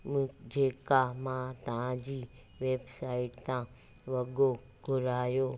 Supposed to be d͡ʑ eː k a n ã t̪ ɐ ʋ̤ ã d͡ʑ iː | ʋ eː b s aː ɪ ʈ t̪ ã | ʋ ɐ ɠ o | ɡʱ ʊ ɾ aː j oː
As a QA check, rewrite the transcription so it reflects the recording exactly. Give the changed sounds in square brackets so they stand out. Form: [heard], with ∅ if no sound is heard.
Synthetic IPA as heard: d͡ʑ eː k a [m] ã t̪ ɐ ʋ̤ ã d͡ʑ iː | ʋ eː b s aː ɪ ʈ t̪ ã | ʋ ɐ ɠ o | ɡʱ ʊ ɾ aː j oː